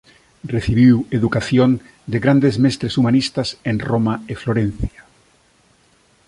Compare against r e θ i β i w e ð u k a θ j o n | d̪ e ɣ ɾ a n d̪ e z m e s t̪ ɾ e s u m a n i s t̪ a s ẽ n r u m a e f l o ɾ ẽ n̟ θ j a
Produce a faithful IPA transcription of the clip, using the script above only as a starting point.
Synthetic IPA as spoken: r e θ i β i w e ð u k a θ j o n | d̪ e ɣ ɾ a n d̪ e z m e s t̪ ɾ e s u m a n i s t̪ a s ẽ n r o m a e f l o ɾ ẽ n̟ θ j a